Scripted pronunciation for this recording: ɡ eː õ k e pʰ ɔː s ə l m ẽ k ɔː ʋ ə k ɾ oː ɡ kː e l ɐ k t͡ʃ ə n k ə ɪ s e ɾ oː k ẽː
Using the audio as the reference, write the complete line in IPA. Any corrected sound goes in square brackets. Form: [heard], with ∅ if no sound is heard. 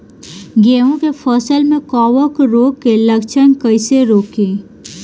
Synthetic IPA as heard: ɡ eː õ k e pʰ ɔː s ə l m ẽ k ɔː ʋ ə k ɾ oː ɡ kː e l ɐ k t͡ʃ ə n k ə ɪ s e ɾ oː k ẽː